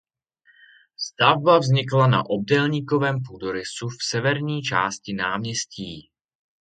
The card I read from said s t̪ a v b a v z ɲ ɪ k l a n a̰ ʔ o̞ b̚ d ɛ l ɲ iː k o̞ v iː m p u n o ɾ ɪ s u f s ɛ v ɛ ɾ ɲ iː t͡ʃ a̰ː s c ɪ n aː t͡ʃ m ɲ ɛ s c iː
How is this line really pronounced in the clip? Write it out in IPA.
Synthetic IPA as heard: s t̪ a v b a v z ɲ ɪ k l a n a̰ ʔ o̞ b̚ d ɛ l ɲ iː k o̞ v ɛː m p u d o ɾ ɪ s u f s ɛ v ɛ ɾ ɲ iː t͡ʃ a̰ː s c ɪ n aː m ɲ ɛ s c iː